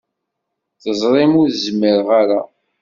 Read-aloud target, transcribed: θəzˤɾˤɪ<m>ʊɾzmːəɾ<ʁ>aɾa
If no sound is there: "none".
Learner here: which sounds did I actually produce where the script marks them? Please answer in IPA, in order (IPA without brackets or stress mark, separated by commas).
m, ʁ